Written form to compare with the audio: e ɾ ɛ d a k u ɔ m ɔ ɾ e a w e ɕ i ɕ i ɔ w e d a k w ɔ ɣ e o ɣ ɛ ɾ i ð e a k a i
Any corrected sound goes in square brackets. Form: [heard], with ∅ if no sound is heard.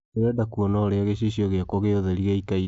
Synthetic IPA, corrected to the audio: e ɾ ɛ d a k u ɔ [n] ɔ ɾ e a [ɣ] e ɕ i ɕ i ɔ [ɣ] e [∅] a k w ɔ ɣ e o [ð] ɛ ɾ i [ɣ] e [i] k a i